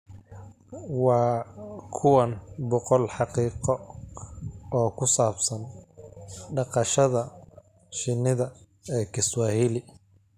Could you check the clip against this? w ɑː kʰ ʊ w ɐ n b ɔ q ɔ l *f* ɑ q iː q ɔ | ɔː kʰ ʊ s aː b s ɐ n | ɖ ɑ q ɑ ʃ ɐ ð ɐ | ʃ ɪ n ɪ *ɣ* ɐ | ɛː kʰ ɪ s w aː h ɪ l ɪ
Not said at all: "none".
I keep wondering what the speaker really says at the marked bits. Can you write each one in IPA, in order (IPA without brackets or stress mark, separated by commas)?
ħ, ð